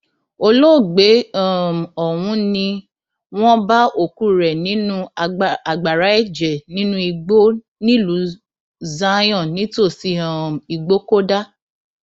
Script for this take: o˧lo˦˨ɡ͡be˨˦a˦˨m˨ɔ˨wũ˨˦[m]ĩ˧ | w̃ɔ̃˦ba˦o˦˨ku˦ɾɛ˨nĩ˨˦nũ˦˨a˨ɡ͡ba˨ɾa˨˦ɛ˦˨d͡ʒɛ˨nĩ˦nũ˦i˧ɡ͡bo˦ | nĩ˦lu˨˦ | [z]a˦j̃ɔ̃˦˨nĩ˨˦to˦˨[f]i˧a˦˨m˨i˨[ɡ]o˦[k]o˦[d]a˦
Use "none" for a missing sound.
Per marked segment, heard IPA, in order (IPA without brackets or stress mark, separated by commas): n, z, s, ɡ͡b, k, d